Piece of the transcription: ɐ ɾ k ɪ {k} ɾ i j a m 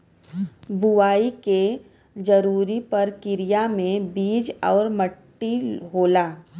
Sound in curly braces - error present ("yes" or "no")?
yes